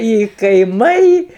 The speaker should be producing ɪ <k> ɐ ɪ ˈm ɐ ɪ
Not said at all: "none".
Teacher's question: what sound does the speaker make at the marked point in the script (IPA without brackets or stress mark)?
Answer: k